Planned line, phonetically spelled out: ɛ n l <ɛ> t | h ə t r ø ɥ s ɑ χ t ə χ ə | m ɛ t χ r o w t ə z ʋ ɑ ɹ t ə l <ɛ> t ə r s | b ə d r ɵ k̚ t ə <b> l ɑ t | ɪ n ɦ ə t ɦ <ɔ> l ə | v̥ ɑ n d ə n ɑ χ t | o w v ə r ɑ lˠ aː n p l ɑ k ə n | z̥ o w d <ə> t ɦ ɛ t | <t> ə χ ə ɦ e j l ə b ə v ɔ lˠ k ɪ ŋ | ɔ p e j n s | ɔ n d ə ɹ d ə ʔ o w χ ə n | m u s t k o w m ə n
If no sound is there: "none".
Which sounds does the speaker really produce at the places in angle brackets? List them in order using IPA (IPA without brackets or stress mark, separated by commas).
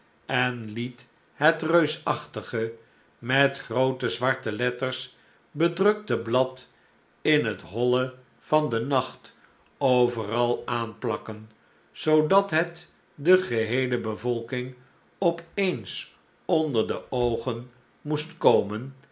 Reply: i, ɛ, b, ɔ, ɑ, d